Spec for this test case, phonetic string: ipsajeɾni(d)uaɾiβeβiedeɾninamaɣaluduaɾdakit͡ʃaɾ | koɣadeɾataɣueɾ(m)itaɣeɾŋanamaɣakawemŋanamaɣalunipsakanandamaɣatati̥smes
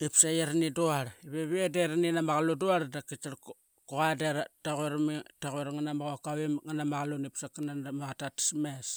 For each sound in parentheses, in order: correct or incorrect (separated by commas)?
correct, correct